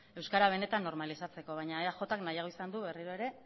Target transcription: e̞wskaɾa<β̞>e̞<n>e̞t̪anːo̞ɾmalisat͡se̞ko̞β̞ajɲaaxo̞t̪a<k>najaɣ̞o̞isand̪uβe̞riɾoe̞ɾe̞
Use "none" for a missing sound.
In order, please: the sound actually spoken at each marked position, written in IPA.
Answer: β̞, n, k

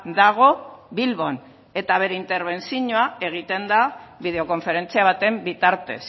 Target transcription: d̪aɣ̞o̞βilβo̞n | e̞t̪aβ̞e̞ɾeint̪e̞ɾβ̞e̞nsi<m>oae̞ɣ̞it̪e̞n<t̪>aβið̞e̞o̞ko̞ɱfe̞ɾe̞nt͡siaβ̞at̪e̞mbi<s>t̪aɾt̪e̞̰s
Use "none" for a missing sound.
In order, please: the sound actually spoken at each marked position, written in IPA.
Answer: ɲ, d̪, none

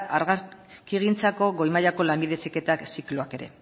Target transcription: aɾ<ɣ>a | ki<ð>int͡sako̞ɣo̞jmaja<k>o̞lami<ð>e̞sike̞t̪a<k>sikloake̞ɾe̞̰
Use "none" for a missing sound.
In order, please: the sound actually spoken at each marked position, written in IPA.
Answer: ɣ, ɣ, k, ð, k

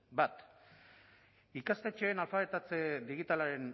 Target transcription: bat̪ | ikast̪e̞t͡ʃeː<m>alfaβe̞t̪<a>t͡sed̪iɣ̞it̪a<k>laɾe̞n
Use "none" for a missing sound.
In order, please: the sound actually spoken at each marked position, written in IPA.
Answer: n, a, none

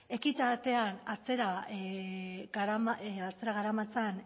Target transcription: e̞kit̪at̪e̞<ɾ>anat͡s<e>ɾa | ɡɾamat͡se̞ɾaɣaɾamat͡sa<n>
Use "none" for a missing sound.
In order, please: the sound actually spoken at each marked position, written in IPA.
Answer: none, e, n

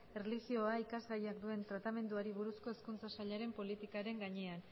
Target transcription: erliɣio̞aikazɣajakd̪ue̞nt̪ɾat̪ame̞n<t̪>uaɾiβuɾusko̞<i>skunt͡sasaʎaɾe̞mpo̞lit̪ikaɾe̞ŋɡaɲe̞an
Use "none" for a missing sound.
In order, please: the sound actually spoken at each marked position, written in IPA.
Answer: d̪, e

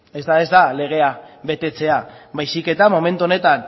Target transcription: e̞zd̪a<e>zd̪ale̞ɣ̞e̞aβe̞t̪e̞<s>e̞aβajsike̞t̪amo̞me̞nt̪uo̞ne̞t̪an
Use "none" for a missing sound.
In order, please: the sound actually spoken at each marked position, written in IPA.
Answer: e, t͡s

